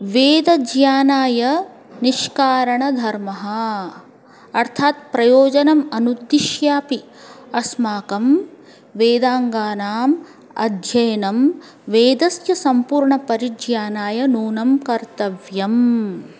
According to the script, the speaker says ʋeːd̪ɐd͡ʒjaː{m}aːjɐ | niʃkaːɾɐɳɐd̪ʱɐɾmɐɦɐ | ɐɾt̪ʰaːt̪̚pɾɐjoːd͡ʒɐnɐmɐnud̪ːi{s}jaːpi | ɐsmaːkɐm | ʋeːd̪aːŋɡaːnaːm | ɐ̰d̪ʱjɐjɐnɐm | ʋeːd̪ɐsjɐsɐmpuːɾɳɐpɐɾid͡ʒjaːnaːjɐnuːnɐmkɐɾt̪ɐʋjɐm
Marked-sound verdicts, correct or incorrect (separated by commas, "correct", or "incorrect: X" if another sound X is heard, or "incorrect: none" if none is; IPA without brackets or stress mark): incorrect: n, incorrect: ʃ